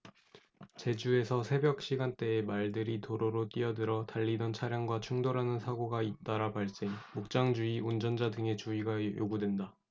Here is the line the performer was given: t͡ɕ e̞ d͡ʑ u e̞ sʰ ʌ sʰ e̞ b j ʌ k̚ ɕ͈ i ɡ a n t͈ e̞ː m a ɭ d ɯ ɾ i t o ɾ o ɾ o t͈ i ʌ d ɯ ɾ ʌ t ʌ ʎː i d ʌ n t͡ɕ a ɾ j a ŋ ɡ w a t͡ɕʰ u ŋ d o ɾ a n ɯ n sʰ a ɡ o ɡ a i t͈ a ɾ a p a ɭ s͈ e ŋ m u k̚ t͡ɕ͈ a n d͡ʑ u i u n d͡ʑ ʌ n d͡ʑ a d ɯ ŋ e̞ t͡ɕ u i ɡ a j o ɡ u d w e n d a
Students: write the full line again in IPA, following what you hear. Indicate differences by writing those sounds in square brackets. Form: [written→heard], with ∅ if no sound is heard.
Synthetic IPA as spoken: t͡ɕ e̞ d͡ʑ u e̞ sʰ ʌ sʰ e̞ b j ʌ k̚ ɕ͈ i ɡ a n t͈ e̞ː m a ɭ d ɯ ɾ i t o ɾ o ɾ o t͈ i ʌ d ɯ ɾ ʌ t [ʌ→a] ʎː i d ʌ n [t͡ɕ→t͡ɕʰ] a ɾ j a ŋ ɡ w a t͡ɕʰ u ŋ d o ɾ a n ɯ n sʰ a ɡ o ɡ a i t͈ a ɾ a p a ɭ s͈ e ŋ m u k̚ t͡ɕ͈ a [n→ŋ] d͡ʑ u i u n d͡ʑ ʌ n d͡ʑ a d ɯ ŋ e̞ t͡ɕ u i ɡ a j o ɡ u d w e n d a